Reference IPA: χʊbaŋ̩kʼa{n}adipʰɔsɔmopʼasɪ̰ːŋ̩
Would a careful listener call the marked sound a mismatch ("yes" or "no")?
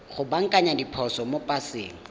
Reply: yes